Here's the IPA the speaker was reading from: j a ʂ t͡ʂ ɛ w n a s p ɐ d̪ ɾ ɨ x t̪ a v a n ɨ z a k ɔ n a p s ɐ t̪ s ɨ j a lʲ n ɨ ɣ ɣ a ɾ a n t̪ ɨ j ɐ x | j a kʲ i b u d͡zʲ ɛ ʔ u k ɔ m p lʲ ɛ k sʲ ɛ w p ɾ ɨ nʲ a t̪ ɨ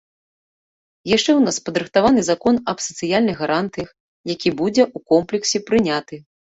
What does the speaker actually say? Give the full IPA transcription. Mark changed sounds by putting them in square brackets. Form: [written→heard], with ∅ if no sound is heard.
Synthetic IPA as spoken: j a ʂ t͡ʂ ɛ w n a s p ɐ d̪ ɾ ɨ x t̪ a v a n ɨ z a k ɔ n [a→ɐ] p s ɐ t̪ s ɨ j a lʲ n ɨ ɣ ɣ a ɾ a n t̪ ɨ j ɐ x | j a kʲ i b u d͡zʲ ɛ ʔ u k ɔ m p lʲ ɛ k sʲ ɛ [w→∅] p ɾ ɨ nʲ a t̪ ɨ